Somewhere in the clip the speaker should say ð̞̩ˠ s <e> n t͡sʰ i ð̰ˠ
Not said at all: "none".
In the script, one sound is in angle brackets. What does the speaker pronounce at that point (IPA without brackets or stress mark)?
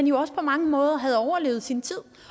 i